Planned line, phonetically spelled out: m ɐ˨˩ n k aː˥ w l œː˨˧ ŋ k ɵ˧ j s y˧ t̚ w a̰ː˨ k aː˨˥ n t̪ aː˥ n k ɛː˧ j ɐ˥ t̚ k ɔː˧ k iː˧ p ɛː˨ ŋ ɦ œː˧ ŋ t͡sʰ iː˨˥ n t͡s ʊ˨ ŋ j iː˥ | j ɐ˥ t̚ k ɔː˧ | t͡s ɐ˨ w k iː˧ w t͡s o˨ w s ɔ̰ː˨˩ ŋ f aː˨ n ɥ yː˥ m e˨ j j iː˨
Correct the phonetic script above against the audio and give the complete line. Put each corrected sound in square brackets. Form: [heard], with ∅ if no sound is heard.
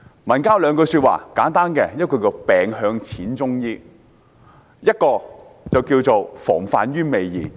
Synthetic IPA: m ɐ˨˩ n k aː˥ w l œː˨˧ ŋ k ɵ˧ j s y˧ t̚ w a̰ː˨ k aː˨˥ n t̪ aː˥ n k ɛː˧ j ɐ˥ t̚ k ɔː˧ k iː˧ p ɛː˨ ŋ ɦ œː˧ ŋ t͡sʰ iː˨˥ n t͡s [ʊ˥] ŋ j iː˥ | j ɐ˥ t̚ k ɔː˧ | t͡s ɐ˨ w k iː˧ w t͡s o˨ w [f] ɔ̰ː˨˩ ŋ f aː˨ n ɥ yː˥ m e˨ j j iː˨